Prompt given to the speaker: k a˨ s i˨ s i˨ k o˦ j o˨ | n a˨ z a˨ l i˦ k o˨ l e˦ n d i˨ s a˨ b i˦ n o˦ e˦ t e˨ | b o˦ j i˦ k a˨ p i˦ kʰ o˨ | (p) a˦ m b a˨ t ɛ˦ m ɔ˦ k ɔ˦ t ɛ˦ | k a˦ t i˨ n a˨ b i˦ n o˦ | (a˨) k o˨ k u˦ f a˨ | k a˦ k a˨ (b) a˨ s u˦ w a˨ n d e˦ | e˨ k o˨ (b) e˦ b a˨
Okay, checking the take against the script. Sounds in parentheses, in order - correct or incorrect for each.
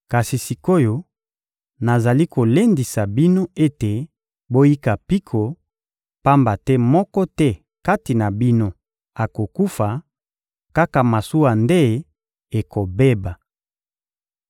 correct, correct, incorrect: m, correct

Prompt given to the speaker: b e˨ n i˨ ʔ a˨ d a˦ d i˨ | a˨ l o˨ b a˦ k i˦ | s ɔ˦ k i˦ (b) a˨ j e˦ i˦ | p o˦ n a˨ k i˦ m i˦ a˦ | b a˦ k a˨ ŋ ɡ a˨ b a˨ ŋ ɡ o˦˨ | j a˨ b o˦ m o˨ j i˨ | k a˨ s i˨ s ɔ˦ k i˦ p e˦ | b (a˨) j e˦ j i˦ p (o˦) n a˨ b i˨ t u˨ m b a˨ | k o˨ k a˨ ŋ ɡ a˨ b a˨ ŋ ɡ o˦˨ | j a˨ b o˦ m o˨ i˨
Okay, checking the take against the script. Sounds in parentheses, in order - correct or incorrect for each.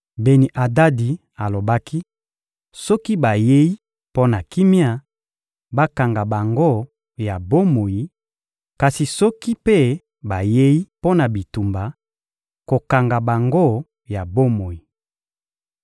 correct, correct, correct

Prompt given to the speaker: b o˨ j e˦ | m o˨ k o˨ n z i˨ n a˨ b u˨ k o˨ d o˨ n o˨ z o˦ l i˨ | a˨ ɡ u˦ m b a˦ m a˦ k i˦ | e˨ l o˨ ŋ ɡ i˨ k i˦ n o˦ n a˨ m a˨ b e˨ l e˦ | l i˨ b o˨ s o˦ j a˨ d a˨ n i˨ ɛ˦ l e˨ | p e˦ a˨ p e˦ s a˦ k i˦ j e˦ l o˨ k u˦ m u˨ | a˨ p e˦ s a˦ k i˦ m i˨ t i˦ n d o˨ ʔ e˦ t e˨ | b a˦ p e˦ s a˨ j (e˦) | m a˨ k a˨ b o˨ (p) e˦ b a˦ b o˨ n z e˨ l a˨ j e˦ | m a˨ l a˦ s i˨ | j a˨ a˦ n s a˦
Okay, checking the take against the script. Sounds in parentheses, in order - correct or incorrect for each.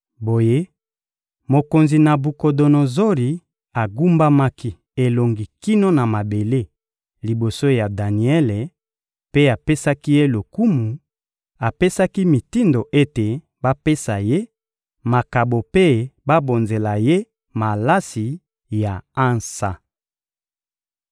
correct, correct

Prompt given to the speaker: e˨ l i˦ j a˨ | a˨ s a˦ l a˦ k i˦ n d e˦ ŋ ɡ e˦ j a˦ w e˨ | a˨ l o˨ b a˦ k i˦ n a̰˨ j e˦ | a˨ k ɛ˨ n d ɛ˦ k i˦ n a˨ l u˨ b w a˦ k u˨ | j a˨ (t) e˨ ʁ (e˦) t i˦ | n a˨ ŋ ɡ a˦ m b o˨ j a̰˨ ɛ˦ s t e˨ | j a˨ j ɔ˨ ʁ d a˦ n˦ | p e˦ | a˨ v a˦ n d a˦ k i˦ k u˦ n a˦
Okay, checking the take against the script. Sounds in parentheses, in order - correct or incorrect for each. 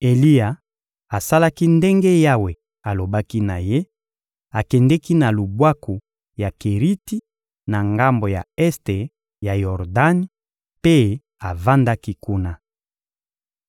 incorrect: k, incorrect: i˦

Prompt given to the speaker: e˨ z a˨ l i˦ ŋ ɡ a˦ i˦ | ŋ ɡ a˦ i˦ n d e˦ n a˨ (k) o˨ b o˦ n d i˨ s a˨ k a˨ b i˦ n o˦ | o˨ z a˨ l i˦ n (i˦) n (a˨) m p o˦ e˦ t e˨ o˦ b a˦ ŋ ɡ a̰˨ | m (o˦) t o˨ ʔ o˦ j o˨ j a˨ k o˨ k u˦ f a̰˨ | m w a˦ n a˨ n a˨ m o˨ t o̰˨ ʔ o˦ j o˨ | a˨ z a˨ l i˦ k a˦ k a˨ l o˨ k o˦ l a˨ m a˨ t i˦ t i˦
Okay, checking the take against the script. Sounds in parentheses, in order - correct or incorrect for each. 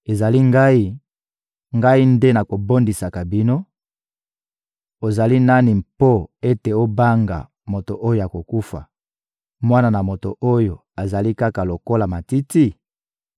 correct, incorrect: a˦, incorrect: i˨, incorrect: o˨

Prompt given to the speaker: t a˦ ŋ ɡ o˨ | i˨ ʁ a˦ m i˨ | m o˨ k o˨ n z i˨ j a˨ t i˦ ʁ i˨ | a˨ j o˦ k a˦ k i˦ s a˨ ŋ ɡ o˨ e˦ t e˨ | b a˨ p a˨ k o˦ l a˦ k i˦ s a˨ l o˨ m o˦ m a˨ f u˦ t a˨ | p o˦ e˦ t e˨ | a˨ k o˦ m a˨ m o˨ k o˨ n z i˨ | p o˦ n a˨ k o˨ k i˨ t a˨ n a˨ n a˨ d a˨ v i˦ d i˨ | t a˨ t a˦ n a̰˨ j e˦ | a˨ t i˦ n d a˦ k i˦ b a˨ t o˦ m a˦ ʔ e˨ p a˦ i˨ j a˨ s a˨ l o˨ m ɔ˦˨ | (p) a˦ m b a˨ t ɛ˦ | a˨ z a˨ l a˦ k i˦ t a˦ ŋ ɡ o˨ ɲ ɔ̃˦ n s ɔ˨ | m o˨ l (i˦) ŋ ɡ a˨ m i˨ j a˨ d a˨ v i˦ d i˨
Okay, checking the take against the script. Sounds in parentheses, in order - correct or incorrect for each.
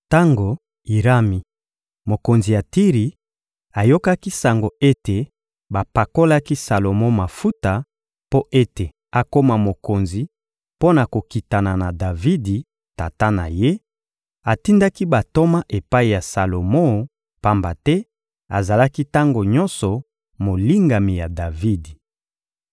correct, correct

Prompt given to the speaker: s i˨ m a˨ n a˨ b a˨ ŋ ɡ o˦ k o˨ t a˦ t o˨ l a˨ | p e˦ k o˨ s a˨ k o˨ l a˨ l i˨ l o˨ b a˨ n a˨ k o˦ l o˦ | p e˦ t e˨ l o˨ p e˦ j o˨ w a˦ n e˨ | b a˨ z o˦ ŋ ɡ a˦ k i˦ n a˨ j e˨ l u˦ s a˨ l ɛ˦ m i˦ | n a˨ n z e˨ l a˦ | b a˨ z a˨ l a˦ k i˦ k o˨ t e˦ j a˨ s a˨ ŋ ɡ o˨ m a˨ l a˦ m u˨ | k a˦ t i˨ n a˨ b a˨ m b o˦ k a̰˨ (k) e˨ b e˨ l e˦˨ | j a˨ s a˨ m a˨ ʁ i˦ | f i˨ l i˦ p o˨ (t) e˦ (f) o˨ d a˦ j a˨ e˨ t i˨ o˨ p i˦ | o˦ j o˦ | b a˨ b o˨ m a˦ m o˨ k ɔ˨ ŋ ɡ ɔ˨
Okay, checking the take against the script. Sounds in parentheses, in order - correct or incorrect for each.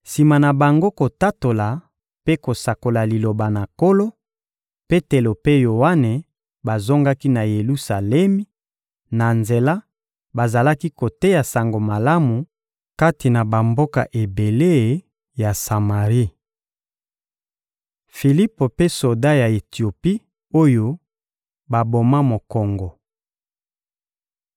incorrect: ʔ, incorrect: p, incorrect: s

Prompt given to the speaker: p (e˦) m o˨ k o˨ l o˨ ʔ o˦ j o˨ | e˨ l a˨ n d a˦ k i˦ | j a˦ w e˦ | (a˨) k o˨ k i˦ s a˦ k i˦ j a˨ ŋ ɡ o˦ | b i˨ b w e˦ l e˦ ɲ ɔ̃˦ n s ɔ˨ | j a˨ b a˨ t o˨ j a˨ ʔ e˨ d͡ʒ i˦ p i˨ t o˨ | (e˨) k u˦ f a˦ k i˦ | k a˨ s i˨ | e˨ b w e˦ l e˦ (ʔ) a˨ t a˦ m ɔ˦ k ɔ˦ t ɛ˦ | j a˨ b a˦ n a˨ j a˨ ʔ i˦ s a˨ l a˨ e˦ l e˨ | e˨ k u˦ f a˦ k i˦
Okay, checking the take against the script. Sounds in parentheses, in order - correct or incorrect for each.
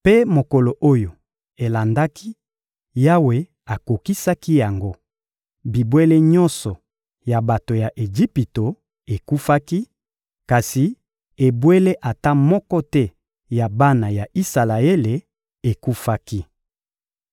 correct, correct, correct, correct

